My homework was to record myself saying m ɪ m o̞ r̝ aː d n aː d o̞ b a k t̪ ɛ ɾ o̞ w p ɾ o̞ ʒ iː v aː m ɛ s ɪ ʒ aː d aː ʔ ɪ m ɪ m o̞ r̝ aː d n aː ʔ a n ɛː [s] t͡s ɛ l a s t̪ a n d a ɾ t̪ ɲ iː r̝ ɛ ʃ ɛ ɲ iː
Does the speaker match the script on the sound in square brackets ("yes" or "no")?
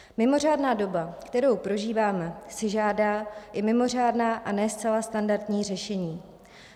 yes